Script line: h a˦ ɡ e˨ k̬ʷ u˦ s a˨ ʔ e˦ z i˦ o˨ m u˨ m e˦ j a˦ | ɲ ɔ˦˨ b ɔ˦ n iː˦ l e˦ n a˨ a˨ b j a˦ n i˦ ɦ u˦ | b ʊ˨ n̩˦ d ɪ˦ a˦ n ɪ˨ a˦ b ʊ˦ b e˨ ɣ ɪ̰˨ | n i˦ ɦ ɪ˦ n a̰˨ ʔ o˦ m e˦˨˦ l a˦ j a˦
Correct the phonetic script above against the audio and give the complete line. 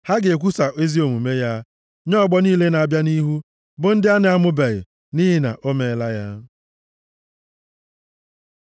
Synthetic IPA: h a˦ ɡ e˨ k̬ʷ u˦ s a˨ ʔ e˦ z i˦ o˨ m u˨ m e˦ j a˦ | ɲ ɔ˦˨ ɡ͡b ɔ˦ n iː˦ l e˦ n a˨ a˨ b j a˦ n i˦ ɦ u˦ | b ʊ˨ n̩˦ d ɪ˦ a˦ n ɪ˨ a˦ m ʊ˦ b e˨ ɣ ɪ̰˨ | n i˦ ɦ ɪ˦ n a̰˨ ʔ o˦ m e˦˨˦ l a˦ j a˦

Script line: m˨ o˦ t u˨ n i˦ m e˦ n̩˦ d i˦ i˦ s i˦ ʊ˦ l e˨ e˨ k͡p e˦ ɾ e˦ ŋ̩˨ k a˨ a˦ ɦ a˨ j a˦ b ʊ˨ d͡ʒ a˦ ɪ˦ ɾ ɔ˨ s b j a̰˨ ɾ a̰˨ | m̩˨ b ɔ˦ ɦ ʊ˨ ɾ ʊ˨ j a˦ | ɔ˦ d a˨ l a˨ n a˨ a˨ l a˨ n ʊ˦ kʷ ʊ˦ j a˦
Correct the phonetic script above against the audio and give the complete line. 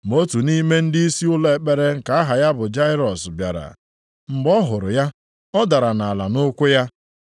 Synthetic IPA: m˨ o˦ t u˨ n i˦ m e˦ n̩˦ d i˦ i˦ s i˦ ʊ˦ l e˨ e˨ k͡p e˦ ɾ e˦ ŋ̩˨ k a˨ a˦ ɦ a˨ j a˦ b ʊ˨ d͡ʒ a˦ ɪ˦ ɾ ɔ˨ s b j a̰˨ ɾ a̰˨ | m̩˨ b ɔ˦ ɦ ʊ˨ ɾ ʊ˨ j a˦ | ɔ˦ d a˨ ɾ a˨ n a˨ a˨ l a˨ n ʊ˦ kʷ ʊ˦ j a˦

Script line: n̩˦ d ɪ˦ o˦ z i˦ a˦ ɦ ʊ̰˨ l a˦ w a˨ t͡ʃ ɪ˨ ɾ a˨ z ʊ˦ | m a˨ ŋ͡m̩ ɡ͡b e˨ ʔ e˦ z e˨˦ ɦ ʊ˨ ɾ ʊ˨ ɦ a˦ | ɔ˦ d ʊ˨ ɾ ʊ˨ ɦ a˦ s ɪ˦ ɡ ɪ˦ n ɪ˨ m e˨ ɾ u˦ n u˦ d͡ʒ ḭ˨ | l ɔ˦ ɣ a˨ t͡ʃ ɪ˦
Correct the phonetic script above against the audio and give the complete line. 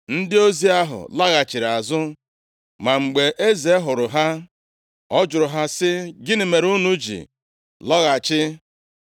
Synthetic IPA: n̩˦ d ɪ˦ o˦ z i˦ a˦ ɦ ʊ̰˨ l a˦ ɣ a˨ t͡ʃ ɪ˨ ɾ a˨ z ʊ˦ | m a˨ ŋ͡m̩ ɡ͡b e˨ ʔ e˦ z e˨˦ ɦ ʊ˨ ɾ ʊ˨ ɦ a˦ | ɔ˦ d͡ʒ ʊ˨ ɾ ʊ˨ ɦ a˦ s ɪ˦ ɡ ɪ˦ n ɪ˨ m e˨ ɾ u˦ n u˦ d͡ʒ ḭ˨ | l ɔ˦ ɣ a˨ t͡ʃ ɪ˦

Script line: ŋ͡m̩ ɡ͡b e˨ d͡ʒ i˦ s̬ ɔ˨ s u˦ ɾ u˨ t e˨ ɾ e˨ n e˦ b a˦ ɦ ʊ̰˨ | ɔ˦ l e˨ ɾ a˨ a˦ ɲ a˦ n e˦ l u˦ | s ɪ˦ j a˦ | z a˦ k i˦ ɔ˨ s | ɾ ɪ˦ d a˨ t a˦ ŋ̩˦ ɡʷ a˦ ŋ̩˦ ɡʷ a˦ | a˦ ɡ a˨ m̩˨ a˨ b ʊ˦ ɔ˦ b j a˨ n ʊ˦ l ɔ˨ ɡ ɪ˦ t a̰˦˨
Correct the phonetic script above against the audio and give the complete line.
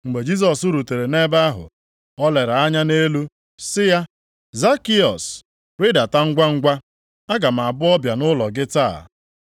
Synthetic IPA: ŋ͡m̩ ɡ͡b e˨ d͡ʒ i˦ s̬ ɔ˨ s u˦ ɾ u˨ t e˨ ɾ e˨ n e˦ b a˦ ɦ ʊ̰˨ | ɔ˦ l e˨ ɾ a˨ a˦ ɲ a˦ n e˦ l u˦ | s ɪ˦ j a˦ | z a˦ k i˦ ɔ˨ s | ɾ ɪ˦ d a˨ t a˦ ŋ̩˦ ɡʷ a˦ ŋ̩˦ ɡʷ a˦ | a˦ ɡ a˨ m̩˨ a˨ b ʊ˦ ɔ˦ b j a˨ n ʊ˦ l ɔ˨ ɡ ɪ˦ t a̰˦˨

